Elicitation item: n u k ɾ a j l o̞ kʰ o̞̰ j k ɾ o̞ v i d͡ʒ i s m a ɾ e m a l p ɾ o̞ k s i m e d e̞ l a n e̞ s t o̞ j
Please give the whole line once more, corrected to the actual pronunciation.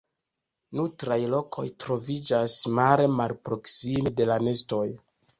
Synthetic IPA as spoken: n u t ɾ a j l o̞ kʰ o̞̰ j t ɾ o̞ v i d͡ʒ a s m a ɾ e m a l p ɾ o̞ k s i m e d e̞ l a n e̞ s t o̞ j